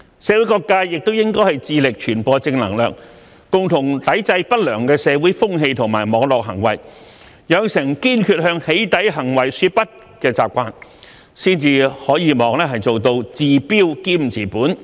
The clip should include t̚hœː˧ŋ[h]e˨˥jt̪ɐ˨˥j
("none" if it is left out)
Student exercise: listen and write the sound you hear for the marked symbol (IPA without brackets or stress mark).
h